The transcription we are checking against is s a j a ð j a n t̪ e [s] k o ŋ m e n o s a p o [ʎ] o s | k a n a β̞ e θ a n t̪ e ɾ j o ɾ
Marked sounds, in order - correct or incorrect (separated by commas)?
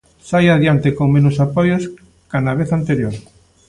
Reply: incorrect, incorrect